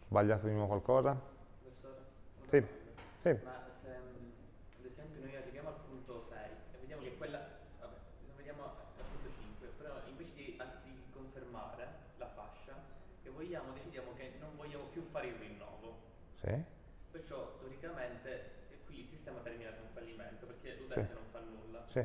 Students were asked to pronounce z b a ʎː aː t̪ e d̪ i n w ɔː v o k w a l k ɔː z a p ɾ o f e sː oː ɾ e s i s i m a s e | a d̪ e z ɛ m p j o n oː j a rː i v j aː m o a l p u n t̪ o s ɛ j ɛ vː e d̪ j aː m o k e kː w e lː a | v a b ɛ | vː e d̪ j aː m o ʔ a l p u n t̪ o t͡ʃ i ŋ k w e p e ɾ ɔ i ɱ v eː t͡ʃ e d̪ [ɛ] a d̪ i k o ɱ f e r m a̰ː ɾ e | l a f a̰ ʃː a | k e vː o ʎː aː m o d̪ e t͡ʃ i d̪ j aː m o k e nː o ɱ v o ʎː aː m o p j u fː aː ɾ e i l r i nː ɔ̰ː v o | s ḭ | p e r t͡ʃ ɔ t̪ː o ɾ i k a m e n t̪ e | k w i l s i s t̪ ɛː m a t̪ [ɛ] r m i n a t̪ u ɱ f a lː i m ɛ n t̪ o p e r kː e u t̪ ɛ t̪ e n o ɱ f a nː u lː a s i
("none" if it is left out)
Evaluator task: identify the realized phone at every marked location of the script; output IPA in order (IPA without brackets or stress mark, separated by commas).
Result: i, ɛ